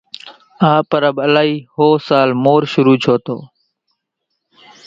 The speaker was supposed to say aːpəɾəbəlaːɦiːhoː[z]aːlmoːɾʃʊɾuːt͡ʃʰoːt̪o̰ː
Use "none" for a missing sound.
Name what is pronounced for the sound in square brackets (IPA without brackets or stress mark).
s